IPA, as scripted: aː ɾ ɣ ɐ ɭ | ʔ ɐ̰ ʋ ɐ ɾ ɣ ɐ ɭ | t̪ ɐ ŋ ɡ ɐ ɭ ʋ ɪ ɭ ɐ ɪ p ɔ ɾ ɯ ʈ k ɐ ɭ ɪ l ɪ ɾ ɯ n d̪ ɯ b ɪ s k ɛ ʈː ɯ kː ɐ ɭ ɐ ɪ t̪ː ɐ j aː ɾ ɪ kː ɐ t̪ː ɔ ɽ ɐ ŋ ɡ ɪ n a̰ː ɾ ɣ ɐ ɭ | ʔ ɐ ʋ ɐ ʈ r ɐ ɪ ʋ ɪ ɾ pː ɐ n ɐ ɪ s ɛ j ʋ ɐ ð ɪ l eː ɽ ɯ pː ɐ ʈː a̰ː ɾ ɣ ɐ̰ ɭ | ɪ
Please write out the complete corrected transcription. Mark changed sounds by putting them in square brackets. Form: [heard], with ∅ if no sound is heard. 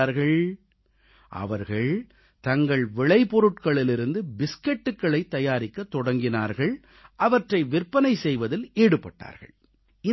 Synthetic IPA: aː ɾ ɣ ɐ ɭ | ʔ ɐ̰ ʋ ɐ ɾ ɣ ɐ ɭ | t̪ ɐ ŋ ɡ ɐ ɭ ʋ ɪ ɭ ɐ ɪ p ɔ ɾ ɯ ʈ k ɐ ɭ ɪ l ɪ ɾ ɯ n d̪ ɯ b ɪ s k ɛ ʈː ɯ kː ɐ ɭ ɐ ɪ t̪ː ɐ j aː ɾ ɪ kː ɐ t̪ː ɔ ɽ ɐ ŋ ɡ ɪ n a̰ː ɾ ɣ ɐ ɭ | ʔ ɐ ʋ ɐ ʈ r ɐ ɪ ʋ ɪ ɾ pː ɐ n ɐ ɪ s ɛ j ʋ ɐ ð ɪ l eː ɽ ɯ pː ɐ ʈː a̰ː ɾ ɣ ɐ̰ ɭ | ɪ